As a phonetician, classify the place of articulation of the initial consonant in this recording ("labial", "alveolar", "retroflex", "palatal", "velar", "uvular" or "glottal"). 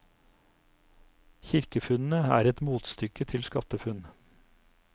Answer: palatal